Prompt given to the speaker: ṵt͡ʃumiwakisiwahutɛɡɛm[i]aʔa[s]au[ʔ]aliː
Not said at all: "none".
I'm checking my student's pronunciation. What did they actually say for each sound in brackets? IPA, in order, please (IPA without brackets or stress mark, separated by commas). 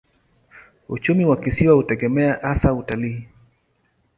ɛ, s, t